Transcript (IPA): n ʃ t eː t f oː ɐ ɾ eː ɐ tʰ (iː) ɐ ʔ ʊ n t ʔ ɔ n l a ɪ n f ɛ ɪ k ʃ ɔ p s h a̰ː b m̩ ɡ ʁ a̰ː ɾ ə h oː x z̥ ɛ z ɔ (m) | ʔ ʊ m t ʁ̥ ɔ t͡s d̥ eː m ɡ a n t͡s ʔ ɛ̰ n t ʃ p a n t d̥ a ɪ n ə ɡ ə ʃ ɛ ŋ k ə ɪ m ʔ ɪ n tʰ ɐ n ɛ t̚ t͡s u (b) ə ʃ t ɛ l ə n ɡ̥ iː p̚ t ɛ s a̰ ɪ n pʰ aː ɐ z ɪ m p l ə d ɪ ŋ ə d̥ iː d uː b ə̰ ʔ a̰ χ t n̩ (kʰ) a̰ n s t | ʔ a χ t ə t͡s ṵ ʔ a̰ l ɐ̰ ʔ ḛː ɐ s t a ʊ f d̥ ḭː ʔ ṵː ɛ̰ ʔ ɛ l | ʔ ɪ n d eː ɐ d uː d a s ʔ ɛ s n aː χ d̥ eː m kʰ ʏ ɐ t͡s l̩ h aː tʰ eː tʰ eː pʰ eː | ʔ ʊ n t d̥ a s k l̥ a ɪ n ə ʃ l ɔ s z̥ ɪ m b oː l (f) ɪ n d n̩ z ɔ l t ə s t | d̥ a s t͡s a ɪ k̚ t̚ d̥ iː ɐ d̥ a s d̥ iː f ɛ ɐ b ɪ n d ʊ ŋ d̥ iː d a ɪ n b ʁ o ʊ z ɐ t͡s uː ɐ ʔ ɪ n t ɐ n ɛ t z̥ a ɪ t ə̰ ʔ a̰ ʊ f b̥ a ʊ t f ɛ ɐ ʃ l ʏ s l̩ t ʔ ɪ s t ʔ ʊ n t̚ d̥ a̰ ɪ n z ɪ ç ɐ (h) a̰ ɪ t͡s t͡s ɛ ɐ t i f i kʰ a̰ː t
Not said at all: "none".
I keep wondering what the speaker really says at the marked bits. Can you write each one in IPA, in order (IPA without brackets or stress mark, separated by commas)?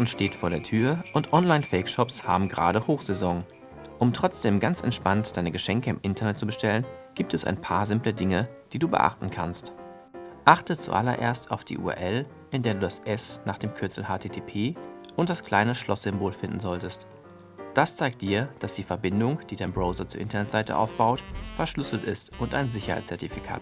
yː, ŋ, b, kʰ, f, h